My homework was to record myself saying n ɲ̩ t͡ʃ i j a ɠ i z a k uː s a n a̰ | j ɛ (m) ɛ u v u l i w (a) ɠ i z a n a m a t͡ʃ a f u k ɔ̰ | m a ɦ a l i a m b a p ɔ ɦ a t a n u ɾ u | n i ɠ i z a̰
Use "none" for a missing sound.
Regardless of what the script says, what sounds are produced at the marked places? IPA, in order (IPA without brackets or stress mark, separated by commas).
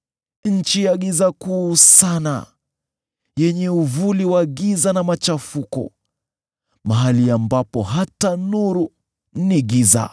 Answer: ɲ, a